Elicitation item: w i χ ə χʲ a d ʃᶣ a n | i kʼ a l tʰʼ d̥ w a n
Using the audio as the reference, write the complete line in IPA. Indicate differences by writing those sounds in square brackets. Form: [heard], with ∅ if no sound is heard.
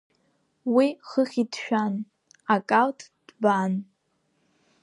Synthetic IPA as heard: w i χ ə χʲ [i] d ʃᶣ a n | [a] kʼ a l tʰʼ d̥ [b] a n